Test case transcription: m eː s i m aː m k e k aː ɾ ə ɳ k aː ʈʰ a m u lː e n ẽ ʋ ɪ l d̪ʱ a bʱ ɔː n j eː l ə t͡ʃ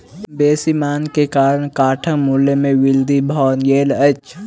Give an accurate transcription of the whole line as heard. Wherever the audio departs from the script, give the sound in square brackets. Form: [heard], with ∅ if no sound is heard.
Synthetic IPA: [b] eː s i m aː [n] k e k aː ɾ ə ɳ k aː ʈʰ [ə] m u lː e [m] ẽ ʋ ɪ l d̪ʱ [i] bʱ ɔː n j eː l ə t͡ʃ